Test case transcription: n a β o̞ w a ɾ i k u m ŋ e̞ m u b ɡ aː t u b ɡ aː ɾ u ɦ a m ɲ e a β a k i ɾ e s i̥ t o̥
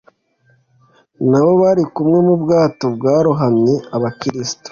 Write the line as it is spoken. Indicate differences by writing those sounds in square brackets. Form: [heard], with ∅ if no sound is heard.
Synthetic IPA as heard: n a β o̞ [β] a ɾ i k u m ŋ e̞ m u b ɡ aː t [o] b ɡ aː ɾ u ɦ a m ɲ e a β a k i ɾ [i] s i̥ t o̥